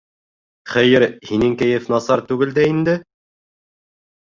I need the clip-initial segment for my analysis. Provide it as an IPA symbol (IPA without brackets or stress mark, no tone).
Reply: χ